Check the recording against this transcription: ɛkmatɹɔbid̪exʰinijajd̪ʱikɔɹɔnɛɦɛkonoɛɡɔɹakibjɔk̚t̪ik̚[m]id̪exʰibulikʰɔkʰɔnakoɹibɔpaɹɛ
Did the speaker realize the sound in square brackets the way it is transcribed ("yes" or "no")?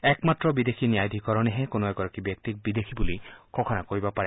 no